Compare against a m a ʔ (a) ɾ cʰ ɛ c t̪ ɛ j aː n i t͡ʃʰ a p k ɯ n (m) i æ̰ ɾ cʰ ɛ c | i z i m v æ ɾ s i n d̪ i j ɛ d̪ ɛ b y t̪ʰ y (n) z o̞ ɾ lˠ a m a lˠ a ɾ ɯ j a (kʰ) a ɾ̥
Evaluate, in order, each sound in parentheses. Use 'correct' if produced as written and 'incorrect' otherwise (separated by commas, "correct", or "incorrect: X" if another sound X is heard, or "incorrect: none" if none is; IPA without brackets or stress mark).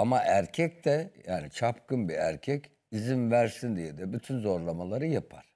incorrect: æ, incorrect: b, correct, incorrect: pʰ